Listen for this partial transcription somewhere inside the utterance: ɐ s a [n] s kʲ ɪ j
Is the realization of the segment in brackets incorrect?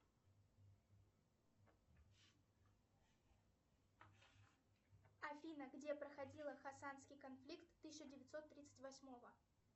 no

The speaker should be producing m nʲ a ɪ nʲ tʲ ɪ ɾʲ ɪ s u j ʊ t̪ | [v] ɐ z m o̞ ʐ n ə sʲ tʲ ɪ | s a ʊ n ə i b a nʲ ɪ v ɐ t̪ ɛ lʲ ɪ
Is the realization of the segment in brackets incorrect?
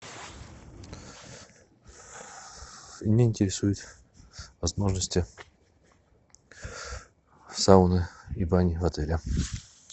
no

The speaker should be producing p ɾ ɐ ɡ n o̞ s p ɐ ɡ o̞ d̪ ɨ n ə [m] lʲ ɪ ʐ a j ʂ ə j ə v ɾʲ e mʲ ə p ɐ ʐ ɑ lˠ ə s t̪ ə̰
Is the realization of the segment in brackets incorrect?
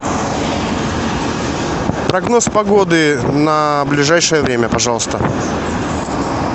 yes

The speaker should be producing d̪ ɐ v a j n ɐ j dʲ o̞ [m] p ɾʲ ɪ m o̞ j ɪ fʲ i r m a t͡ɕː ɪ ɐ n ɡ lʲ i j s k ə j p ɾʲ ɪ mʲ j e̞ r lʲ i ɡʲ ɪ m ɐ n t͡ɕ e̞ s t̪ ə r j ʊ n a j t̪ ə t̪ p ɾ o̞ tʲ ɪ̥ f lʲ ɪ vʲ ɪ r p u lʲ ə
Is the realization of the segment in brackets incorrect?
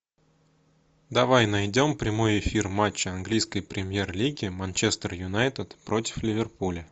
no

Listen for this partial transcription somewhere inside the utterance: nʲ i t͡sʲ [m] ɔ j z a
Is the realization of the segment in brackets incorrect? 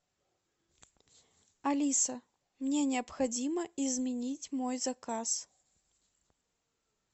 no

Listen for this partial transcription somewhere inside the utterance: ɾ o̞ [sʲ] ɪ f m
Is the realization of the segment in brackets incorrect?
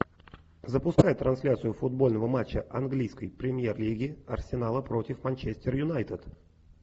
yes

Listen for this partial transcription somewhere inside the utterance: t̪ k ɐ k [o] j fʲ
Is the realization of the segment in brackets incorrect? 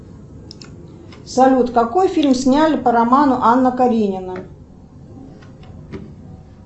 no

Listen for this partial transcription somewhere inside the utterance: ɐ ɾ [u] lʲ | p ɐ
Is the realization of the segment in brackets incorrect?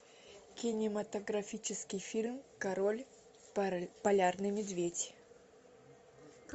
yes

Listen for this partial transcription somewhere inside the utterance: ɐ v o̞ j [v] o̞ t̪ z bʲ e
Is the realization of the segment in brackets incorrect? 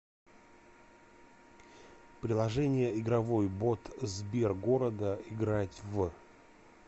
yes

